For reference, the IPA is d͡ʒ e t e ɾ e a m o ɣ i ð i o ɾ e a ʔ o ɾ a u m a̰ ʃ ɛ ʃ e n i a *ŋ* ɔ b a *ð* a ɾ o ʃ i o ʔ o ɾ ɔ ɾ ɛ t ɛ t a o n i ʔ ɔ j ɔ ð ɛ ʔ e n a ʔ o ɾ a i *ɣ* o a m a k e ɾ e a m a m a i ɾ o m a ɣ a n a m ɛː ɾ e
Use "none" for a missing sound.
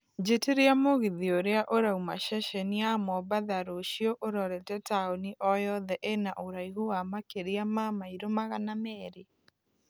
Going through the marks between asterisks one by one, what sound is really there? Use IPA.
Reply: m, ð, ɣ

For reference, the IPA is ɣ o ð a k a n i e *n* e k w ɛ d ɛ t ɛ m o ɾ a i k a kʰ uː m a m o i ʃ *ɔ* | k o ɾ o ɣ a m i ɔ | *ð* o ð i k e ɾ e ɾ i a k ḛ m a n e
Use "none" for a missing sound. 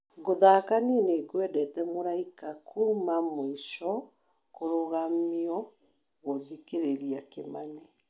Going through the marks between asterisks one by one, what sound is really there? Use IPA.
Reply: n, ɔ, ɣ

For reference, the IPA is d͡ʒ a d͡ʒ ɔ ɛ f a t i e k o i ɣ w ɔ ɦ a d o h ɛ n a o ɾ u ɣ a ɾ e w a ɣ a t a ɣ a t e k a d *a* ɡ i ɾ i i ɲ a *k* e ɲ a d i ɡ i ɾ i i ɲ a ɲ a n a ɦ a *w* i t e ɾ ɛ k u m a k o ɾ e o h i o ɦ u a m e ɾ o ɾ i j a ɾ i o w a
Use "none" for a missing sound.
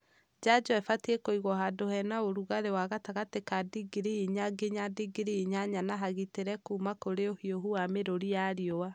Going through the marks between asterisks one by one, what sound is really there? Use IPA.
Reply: i, ɡ, ɣ

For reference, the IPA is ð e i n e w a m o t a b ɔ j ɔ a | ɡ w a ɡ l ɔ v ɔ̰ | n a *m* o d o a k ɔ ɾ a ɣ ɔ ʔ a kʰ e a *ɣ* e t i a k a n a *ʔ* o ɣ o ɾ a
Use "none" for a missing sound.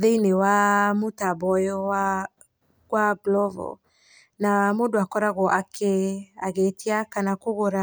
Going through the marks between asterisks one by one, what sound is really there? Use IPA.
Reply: m, ɣ, k

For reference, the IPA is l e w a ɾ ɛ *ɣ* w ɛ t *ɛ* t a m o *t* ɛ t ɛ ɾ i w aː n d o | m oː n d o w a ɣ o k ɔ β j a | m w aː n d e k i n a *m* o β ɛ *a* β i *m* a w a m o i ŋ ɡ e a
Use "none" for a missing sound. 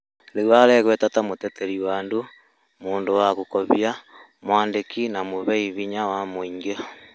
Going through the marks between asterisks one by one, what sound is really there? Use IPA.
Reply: ɣ, a, t, m, i, ɲ

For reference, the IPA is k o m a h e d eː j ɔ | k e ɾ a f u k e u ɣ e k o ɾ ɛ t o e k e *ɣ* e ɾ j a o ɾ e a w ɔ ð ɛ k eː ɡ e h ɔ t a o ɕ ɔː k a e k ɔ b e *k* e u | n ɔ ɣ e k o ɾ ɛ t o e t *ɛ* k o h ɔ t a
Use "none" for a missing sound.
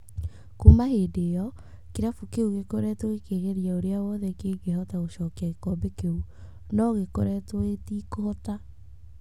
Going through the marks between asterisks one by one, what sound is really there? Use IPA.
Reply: ɣ, k, i

